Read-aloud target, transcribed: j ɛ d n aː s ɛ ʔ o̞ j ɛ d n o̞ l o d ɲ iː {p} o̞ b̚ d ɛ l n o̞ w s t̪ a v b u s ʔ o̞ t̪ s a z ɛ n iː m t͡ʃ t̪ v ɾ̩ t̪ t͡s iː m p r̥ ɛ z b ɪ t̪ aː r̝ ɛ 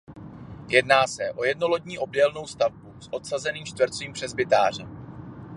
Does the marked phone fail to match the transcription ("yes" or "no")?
yes